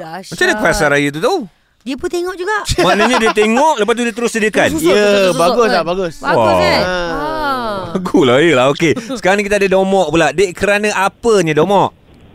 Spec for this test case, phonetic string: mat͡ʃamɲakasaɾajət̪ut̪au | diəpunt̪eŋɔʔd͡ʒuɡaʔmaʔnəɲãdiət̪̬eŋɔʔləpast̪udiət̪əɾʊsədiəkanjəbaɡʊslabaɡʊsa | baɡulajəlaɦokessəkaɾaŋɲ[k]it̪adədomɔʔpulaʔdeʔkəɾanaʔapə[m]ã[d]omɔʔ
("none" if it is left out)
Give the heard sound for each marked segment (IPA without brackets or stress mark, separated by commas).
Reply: k, ɲ, d